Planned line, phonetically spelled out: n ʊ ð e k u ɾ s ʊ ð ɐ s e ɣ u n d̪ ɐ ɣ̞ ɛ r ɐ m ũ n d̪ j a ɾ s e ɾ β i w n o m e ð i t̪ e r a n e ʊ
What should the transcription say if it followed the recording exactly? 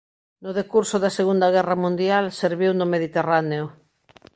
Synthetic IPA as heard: n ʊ ð e k u ɾ s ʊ ð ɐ s e ɣ u n d̪ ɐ ɣ̞ ɛ r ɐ m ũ n d̪ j a l s e ɾ β i w n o m e ð i t̪ e r a n e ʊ